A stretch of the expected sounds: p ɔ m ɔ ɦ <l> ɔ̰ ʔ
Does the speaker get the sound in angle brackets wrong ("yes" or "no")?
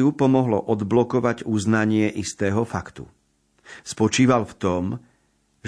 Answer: no